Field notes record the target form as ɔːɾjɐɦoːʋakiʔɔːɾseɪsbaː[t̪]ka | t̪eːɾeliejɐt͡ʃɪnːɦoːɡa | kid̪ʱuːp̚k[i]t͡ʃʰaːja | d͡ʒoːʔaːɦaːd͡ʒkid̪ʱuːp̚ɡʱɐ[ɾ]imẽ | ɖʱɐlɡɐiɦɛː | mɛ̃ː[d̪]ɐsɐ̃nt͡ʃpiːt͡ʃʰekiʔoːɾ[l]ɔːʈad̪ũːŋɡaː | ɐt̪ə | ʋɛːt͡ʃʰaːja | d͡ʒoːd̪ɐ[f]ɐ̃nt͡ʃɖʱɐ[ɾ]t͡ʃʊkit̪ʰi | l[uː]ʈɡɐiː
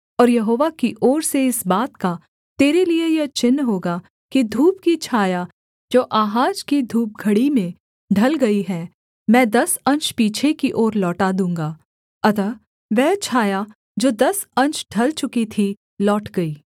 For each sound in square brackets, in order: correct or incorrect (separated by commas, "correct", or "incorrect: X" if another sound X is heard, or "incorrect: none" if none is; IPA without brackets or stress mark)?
correct, correct, incorrect: ɽ, correct, correct, incorrect: s, incorrect: l, incorrect: ɔː